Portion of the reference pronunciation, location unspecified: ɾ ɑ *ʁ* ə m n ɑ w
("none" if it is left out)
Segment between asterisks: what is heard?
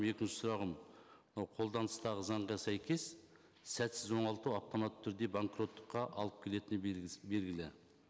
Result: ʁ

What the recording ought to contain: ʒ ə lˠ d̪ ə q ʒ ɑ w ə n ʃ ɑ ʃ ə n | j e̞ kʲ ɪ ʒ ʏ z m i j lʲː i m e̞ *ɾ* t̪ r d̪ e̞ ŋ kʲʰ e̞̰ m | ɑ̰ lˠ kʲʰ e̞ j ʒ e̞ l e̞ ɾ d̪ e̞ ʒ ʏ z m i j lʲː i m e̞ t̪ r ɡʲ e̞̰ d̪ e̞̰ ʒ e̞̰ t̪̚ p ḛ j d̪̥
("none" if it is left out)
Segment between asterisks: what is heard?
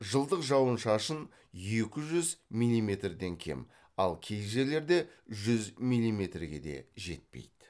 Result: none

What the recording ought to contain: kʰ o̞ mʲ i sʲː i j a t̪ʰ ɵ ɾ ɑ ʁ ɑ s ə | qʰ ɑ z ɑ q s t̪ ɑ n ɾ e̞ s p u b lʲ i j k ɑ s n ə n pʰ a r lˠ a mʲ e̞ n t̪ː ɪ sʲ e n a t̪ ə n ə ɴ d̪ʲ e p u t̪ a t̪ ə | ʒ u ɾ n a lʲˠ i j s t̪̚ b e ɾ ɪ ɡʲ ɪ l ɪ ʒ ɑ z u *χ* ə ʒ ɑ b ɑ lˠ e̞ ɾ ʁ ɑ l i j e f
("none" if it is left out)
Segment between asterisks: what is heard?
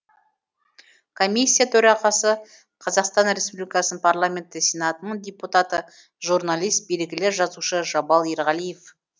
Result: ʃ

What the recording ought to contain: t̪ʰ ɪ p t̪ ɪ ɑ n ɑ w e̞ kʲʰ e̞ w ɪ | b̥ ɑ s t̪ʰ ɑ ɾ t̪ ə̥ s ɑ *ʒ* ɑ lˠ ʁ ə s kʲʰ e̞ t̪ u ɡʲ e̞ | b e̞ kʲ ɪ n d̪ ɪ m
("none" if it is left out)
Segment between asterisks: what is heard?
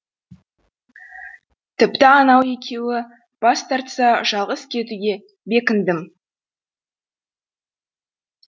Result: ʒ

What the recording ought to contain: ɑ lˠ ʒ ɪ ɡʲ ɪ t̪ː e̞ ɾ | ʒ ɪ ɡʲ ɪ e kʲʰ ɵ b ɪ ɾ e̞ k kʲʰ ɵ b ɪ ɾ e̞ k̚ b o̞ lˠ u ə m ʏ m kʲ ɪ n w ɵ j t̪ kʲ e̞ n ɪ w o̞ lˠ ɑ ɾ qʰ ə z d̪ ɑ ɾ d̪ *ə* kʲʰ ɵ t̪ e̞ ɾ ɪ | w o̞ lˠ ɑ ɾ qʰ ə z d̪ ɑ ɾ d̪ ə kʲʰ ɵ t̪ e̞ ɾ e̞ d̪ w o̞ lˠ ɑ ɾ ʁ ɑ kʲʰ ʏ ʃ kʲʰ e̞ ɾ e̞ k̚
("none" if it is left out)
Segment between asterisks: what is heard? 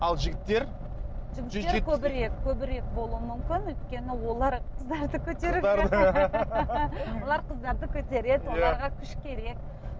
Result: ə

